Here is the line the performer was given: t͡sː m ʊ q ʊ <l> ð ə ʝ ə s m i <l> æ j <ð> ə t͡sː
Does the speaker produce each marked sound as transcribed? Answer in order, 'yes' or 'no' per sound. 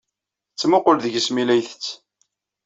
yes, yes, no

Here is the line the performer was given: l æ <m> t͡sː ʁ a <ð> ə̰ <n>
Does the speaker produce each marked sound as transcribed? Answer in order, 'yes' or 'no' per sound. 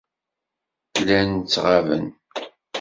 no, no, yes

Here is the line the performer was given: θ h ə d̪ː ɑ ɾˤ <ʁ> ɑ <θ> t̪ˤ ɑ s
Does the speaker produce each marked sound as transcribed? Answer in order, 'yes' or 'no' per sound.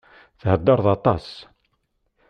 no, no

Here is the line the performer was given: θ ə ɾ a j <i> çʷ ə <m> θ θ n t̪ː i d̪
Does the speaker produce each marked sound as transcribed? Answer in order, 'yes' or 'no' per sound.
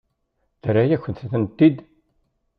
no, no

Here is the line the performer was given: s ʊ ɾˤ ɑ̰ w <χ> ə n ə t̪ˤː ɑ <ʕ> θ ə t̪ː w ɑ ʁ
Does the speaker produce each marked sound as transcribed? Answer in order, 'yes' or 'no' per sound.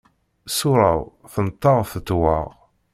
no, no

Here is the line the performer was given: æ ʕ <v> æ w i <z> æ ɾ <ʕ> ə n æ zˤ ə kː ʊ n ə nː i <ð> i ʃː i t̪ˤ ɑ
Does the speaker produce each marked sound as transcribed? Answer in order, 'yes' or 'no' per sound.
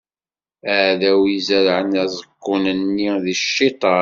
no, yes, yes, yes

